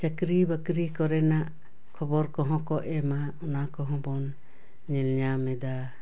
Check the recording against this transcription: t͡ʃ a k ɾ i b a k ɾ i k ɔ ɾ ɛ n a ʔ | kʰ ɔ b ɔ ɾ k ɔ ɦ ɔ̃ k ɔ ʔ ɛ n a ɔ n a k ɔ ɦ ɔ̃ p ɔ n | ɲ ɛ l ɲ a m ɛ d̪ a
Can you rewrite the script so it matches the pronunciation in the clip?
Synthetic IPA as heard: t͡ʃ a k ɾ i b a k ɾ i k ɔ ɾ ɛ n a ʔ | kʰ ɔ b ɔ ɾ k ɔ ɦ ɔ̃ k ɔ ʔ ɛ m a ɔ n a k ɔ ɦ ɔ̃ b ɔ n | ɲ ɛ l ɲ a m ɛ d̪ a